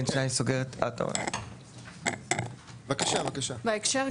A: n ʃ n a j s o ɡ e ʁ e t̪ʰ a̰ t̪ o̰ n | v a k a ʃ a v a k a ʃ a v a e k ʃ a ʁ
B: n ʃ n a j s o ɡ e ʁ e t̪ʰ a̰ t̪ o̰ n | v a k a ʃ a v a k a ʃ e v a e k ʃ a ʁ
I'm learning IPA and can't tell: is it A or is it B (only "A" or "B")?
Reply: A